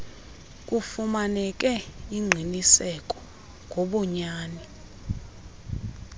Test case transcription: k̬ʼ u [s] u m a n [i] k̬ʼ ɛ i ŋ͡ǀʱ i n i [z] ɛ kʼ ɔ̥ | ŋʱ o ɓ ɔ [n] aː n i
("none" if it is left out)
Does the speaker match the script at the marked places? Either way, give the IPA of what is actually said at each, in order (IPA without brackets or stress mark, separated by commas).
f, ɛ, s, ɲ